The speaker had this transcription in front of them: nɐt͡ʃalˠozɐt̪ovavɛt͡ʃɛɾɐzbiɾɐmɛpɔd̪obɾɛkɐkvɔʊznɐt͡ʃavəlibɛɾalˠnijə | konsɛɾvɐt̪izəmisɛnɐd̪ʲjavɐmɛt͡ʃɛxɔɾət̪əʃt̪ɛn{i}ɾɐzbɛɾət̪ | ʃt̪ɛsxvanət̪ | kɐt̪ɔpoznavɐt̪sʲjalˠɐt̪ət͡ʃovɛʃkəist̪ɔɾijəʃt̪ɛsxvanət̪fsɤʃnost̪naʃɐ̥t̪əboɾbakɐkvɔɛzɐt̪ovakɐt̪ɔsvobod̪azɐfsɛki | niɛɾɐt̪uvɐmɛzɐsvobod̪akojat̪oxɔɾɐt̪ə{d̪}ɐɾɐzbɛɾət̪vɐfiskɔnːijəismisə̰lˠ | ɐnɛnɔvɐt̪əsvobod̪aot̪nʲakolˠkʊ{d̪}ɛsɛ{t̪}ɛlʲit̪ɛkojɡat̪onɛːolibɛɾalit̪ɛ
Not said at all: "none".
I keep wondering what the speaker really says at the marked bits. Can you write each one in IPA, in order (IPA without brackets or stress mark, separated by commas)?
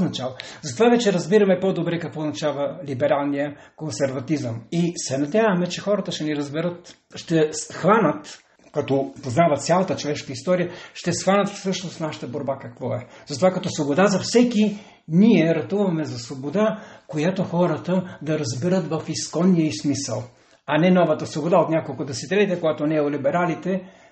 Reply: i, d̪, d̪, t̪